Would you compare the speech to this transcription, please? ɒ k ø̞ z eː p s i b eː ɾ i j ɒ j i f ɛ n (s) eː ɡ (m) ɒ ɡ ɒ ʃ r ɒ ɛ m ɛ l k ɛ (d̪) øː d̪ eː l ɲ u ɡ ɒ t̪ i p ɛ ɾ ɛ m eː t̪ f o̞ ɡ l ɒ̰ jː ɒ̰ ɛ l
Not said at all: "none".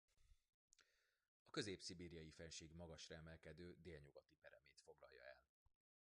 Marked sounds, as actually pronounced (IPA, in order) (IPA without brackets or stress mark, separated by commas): ʃ, m, d̪